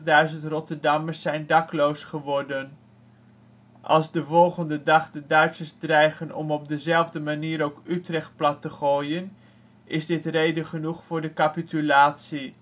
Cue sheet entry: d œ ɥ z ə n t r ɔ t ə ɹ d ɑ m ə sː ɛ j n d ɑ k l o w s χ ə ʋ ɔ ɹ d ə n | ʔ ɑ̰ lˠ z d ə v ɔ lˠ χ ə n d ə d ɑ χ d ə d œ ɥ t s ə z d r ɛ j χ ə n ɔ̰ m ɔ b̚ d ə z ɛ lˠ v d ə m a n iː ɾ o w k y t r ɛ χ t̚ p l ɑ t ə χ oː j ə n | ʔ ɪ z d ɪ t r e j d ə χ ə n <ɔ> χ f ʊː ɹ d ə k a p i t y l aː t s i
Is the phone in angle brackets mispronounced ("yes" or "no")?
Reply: yes